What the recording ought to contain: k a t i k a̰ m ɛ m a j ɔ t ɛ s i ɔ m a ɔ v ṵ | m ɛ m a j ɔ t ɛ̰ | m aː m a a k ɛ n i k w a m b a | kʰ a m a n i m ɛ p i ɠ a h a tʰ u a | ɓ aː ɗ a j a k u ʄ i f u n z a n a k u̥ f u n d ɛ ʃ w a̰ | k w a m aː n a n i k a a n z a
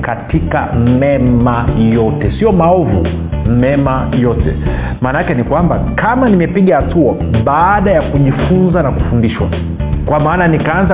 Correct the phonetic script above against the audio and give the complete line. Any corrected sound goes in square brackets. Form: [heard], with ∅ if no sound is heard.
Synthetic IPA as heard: k a t i k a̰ m ɛ m a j ɔ t ɛ s i ɔ m a ɔ v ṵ | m ɛ m a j ɔ t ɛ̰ | m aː [n] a a k ɛ n i k w a m b a | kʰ a m a n i m ɛ p i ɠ a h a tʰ u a | ɓ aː ɗ a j a k u ʄ i f u n z a n a k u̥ f u n d [i] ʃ w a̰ | k w a m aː n a n i k a a n z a